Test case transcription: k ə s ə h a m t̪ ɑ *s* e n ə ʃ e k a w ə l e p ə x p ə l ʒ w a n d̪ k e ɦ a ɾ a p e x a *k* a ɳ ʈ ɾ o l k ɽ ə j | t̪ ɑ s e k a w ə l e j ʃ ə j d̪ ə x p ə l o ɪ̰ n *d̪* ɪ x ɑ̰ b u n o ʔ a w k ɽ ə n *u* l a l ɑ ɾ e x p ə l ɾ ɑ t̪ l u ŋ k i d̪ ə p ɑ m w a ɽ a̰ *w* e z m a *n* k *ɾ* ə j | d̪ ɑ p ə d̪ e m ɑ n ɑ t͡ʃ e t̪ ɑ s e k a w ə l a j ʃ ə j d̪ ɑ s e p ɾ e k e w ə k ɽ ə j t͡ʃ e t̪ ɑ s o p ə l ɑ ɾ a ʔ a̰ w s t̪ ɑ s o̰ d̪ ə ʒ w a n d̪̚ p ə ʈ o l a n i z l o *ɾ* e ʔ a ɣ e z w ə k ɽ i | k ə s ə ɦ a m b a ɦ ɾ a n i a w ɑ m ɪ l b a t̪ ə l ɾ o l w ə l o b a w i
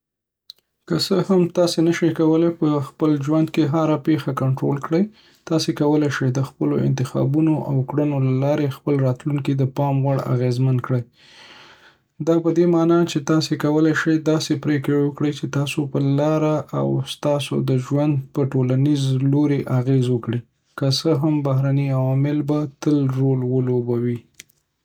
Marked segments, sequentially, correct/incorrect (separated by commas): correct, correct, incorrect, incorrect, incorrect, correct, incorrect, correct